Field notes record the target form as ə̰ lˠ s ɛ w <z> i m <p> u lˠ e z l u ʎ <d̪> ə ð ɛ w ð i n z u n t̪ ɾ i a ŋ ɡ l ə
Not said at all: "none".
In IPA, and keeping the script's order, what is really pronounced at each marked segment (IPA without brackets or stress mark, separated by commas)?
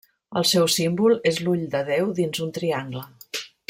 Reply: s, b, d̪